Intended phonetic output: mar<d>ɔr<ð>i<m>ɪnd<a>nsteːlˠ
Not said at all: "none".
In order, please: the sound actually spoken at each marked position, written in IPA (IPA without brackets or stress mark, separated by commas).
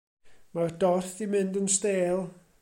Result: d, θ, m, ə